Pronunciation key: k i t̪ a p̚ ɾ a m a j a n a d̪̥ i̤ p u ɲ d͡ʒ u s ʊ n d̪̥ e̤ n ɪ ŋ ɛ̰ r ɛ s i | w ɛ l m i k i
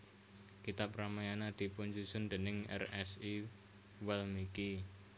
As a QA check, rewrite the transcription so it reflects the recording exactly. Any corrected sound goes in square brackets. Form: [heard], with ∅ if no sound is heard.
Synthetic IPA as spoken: k i t̪ a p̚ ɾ a m a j a n a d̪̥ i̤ p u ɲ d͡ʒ u s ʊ n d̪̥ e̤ n ɪ ŋ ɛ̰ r ɛ s i | w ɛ l m i k i